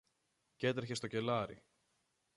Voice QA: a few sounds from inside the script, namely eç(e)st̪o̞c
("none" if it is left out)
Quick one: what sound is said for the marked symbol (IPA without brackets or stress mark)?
e